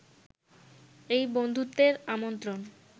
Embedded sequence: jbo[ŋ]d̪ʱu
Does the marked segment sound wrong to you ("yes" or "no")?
yes